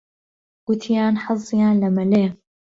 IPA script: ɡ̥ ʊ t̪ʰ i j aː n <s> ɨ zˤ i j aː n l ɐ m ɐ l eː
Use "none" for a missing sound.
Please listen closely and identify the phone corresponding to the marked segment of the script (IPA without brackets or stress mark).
ħ